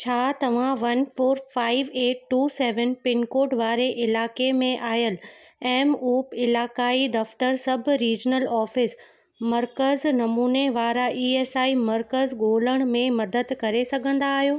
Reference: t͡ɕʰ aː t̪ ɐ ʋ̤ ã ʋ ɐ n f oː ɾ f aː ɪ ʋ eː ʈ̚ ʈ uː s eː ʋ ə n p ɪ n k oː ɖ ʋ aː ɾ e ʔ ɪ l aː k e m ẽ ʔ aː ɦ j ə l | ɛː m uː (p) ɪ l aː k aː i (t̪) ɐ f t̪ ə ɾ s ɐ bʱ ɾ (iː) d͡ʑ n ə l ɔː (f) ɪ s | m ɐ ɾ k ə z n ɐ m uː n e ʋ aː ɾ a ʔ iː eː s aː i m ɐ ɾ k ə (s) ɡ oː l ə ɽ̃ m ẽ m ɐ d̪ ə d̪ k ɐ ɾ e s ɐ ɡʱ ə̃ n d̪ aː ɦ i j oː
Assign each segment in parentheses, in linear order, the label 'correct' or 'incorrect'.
correct, incorrect, correct, correct, incorrect

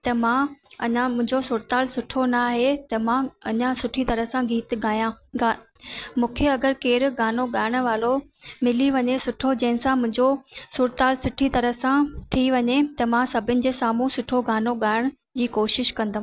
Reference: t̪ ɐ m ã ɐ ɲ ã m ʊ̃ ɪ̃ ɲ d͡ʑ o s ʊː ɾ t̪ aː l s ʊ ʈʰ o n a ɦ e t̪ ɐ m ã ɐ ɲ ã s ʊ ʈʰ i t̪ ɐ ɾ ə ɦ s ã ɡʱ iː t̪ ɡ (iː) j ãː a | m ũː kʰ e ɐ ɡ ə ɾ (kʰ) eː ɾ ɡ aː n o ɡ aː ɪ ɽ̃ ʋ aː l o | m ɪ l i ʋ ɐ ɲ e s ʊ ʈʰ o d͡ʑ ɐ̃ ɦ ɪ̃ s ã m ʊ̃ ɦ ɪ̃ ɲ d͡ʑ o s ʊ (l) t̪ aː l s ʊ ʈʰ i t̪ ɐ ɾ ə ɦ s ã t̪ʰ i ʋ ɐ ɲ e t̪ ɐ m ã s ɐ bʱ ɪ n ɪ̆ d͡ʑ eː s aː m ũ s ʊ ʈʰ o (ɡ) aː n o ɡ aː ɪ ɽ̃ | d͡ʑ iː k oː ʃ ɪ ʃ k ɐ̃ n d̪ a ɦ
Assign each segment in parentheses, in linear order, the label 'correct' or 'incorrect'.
incorrect, incorrect, incorrect, correct

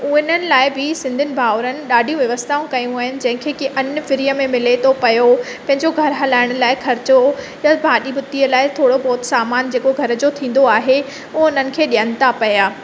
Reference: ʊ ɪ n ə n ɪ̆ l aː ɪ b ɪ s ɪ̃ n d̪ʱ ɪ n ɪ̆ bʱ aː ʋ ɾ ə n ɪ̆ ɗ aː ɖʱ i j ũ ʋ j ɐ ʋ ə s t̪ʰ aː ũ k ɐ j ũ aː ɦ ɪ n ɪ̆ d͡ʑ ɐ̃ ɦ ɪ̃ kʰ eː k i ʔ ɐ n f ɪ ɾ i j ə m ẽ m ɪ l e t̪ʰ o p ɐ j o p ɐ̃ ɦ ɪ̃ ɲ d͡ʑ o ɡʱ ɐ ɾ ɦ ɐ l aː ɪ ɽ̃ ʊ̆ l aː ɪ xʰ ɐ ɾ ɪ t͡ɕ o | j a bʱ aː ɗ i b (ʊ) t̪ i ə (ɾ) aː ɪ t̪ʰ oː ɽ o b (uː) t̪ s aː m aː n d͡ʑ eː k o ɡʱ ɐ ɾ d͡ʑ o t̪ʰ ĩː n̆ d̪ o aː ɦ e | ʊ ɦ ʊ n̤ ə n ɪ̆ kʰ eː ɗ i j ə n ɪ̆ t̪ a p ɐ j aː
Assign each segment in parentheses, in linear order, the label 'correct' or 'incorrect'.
correct, incorrect, incorrect

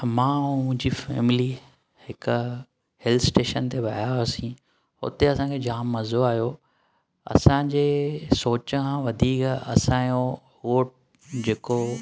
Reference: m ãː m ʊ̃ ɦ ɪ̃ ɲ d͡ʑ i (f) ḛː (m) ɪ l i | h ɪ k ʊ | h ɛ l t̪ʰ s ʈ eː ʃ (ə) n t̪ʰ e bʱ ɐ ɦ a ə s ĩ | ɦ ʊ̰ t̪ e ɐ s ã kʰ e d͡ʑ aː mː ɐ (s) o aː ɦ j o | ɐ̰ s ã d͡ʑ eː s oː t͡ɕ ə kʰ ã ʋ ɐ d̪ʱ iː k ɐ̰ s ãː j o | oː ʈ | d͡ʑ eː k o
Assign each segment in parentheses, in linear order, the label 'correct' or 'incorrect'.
correct, correct, correct, incorrect

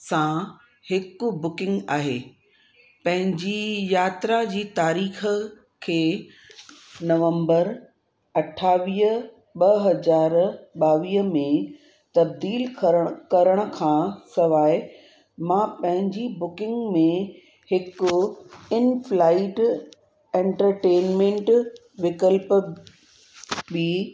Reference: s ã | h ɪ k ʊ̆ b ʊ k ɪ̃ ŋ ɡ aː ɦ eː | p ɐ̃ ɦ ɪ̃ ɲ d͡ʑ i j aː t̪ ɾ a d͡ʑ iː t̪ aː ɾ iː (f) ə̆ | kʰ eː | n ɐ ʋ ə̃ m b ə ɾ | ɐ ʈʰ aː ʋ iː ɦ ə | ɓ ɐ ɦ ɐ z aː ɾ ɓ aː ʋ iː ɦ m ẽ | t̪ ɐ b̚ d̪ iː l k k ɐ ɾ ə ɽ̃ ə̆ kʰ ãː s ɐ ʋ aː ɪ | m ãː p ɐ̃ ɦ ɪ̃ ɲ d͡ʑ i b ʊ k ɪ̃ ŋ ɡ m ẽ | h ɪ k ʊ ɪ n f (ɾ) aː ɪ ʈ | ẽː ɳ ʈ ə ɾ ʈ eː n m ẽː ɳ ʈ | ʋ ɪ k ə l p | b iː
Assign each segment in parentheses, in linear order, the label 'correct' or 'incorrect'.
incorrect, incorrect

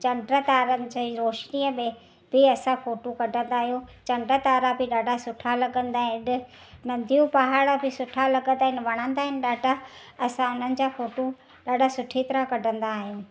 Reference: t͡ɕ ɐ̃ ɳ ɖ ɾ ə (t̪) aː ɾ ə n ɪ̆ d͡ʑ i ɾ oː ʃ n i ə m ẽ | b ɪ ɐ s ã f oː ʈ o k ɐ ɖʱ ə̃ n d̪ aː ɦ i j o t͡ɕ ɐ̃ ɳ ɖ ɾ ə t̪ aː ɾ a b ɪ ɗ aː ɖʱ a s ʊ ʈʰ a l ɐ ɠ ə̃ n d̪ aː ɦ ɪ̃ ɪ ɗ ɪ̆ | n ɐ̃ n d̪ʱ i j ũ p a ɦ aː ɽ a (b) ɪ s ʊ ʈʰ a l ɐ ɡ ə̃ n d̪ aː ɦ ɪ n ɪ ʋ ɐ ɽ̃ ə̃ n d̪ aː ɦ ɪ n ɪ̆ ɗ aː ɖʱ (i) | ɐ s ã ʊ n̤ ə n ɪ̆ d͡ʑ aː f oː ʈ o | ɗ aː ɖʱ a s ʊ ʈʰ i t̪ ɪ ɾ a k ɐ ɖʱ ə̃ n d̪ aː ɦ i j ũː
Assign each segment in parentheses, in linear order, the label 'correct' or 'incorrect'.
correct, correct, incorrect

